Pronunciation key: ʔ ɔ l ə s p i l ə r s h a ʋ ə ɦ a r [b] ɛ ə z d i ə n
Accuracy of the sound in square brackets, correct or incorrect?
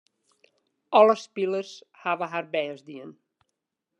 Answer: correct